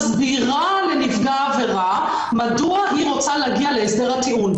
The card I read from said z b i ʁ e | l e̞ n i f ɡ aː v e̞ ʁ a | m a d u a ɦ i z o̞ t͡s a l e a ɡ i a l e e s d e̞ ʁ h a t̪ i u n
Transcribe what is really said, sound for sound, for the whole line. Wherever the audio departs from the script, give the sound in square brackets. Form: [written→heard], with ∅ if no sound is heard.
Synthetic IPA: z b i ʁ [e→a] | l e̞ n i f ɡ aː v e̞ ʁ a | m a d u a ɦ i [z→ʁ] o̞ t͡s a l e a ɡ i a l e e s d e̞ ʁ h a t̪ i u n